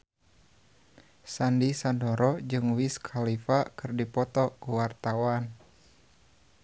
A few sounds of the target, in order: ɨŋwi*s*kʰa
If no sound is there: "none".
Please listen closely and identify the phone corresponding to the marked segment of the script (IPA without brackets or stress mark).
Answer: s